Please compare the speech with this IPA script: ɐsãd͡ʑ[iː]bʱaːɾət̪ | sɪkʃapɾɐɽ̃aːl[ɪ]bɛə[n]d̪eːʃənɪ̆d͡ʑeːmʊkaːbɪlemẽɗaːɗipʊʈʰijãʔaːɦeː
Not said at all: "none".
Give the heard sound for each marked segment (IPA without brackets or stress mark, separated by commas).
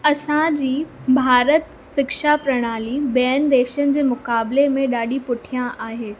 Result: iː, i, n